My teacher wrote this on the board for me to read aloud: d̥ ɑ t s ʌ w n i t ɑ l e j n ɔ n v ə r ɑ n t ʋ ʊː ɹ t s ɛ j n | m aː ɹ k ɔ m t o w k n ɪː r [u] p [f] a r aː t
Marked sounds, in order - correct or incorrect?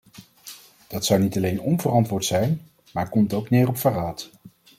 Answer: incorrect, correct

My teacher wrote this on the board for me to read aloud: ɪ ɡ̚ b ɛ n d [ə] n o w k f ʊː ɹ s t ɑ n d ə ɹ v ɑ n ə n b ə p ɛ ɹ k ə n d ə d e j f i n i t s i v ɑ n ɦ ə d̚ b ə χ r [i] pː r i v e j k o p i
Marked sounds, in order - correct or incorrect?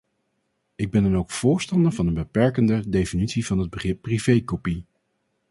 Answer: incorrect, incorrect

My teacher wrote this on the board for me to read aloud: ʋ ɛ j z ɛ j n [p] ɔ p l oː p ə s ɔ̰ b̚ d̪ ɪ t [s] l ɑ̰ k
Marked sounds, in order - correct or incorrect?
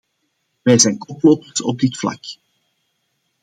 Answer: incorrect, incorrect

